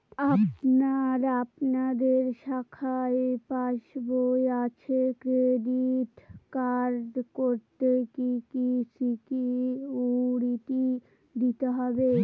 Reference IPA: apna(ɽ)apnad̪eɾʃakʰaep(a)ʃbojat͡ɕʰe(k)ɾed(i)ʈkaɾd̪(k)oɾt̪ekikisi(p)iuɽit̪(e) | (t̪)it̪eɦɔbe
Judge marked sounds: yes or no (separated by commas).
no, yes, yes, yes, yes, no, no, no